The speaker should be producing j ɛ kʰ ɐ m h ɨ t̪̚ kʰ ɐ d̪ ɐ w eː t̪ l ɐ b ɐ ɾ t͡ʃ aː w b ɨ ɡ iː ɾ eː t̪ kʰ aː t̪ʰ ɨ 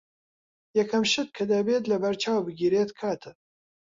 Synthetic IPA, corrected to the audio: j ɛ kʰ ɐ m ʃ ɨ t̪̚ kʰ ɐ d̪ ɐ b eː t̪ l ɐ b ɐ ɾ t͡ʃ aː w b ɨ ɡ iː ɾ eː t̪ kʰ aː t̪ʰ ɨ